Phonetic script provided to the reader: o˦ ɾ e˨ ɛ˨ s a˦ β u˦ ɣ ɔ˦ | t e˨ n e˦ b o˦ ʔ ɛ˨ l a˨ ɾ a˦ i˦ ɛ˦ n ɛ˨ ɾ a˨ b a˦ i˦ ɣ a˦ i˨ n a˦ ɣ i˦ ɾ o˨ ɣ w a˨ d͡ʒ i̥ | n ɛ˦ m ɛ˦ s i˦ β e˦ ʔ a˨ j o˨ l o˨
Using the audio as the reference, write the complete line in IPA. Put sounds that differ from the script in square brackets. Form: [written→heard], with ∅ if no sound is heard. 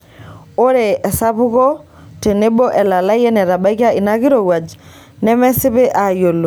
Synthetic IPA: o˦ ɾ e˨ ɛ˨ s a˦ β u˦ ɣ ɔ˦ | t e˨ n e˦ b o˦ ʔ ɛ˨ l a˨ [ɾ→l] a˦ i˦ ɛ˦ n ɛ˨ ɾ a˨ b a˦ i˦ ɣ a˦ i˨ n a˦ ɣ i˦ ɾ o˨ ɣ w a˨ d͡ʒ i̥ | n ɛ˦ m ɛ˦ s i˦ β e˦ ʔ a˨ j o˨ l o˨